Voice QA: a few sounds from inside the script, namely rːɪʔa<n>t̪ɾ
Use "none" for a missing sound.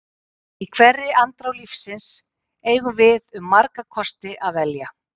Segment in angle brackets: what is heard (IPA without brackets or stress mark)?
n